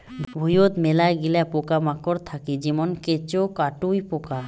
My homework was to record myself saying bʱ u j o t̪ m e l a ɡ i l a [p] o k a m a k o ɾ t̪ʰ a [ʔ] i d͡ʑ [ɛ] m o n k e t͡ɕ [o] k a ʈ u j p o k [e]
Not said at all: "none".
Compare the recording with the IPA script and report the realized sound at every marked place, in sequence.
p, k, i, o, a

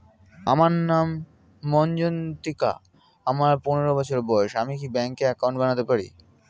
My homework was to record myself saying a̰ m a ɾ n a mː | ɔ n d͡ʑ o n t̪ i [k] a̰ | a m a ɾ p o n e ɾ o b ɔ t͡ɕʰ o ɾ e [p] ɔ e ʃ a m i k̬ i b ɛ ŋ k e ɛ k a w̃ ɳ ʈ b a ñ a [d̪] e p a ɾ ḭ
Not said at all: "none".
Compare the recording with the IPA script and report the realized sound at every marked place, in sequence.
k, b, t̪

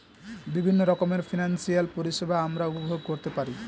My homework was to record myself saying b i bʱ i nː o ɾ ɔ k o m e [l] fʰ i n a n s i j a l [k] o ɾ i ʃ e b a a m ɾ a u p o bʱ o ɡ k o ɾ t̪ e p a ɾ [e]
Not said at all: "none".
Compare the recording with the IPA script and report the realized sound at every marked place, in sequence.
ɾ, p, i

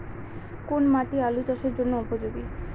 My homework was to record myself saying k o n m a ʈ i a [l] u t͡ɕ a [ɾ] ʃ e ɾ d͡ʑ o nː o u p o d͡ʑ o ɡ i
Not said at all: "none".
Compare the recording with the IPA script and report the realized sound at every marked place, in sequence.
l, none

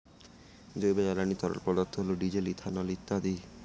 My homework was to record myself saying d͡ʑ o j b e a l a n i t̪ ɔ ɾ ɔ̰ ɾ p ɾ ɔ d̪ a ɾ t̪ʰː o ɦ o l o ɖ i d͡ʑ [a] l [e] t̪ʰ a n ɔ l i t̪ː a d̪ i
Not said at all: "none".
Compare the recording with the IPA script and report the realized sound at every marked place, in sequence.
e, i

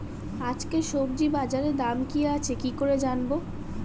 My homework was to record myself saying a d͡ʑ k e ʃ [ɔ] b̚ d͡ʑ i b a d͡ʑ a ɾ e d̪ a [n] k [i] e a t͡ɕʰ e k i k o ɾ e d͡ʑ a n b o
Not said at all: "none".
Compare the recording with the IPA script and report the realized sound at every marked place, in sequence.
o, m, i

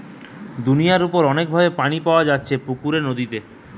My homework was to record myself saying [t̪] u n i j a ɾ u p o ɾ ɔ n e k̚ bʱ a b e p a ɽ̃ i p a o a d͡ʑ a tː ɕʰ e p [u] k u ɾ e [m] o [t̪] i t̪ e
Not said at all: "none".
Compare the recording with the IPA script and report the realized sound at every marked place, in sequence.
d̪, u, n, d̪

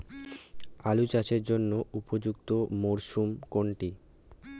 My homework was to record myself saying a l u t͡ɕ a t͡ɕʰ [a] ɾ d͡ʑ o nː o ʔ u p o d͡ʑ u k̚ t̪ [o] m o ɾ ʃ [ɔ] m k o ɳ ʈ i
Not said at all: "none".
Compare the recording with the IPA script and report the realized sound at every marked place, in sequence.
e, o, u

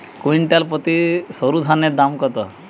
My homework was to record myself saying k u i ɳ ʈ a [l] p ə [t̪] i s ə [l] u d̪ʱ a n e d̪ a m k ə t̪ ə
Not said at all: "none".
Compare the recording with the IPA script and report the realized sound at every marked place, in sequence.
l, t̪, ɾ

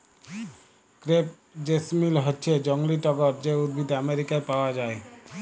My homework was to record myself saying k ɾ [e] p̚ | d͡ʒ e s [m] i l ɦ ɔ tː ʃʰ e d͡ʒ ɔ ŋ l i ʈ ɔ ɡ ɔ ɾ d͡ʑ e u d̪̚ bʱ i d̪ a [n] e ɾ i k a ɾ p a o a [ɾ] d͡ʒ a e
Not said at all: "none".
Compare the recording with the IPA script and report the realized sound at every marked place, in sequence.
e, m, m, none

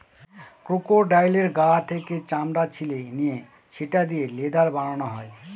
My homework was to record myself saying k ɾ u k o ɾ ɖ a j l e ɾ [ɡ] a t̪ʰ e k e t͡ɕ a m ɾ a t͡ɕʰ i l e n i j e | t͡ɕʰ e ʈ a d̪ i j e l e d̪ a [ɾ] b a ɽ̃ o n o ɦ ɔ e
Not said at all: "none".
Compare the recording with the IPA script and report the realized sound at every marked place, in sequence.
ɡ, ɾ

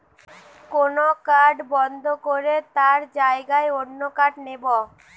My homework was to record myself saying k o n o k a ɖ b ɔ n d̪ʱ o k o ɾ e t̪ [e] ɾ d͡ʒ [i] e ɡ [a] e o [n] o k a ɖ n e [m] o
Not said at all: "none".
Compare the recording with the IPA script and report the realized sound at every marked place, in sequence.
a, a, a, nː, b

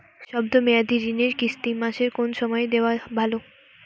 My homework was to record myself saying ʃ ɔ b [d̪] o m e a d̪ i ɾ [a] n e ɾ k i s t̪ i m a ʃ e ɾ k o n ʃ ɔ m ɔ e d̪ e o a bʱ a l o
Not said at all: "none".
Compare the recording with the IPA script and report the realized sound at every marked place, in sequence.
d̪, i

